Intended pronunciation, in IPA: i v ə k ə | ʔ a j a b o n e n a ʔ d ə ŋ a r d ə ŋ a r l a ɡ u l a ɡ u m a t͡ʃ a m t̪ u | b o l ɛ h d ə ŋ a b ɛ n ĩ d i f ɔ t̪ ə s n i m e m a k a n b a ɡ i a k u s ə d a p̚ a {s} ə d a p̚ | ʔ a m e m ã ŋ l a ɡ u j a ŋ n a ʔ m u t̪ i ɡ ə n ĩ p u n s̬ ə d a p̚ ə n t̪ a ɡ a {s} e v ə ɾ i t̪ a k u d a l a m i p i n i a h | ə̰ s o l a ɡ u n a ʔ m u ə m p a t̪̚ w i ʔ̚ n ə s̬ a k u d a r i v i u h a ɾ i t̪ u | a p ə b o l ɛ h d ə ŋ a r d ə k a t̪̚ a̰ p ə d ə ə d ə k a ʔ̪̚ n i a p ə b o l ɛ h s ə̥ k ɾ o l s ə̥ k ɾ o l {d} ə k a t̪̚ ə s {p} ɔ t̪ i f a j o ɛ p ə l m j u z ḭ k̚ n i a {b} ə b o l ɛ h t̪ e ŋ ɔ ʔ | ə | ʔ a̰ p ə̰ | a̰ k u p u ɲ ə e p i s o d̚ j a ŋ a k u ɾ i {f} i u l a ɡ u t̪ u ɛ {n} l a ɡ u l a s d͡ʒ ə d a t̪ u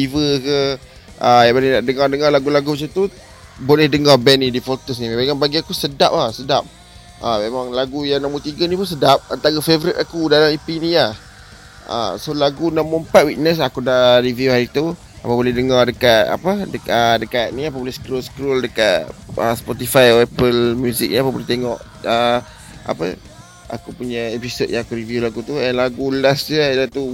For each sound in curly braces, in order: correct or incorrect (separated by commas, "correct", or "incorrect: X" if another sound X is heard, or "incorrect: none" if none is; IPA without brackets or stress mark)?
correct, incorrect: f, correct, correct, incorrect: p, incorrect: v, correct